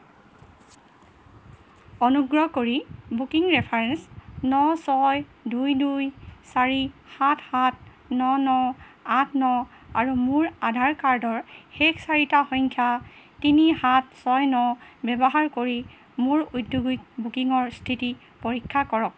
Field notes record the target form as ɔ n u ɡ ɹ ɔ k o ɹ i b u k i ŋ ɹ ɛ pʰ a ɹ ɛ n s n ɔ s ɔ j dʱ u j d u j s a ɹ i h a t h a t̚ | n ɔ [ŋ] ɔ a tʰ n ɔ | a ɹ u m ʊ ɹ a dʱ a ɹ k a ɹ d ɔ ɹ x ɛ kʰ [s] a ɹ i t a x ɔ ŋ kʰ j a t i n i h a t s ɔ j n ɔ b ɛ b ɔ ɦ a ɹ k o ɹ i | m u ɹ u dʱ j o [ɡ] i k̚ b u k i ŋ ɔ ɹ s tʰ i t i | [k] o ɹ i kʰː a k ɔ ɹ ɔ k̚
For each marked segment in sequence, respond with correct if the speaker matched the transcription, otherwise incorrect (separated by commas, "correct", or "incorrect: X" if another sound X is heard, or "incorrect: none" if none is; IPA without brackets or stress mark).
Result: incorrect: n, correct, correct, incorrect: p